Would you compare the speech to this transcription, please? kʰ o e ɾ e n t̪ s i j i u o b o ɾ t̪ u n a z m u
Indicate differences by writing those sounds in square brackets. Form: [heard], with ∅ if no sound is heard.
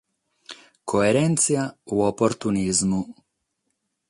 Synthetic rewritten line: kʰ o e ɾ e n t̪ s i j [a] u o [p] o ɾ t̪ u n [i] z m u